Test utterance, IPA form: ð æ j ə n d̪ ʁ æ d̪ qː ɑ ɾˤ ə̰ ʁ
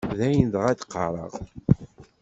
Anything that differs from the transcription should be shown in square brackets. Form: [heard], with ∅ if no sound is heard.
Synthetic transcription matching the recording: ð æ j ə n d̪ ʁ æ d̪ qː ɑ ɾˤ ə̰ ʁ